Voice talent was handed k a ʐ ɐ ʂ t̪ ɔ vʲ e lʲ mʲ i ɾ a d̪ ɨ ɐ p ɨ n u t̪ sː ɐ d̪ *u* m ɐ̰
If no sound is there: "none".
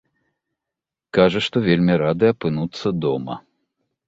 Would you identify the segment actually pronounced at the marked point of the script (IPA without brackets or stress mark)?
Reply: ɔ